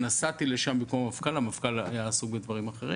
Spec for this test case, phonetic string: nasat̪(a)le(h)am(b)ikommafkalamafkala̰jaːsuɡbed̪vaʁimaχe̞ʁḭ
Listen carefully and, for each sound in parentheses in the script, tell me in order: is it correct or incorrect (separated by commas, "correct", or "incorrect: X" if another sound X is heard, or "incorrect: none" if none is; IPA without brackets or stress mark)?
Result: incorrect: i, incorrect: ʃ, correct